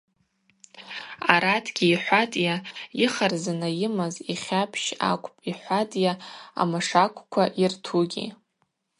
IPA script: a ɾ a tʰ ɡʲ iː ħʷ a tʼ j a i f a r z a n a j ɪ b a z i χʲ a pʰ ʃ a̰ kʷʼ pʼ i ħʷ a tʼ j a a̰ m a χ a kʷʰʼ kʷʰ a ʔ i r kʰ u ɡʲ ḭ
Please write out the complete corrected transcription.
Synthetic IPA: a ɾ a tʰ ɡʲ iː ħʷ a tʼ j a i χ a r z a n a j ɪ m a z i χʲ a pʰ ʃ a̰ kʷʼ pʼ i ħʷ a tʼ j a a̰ m a ʂ a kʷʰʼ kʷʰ a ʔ i r tʰ u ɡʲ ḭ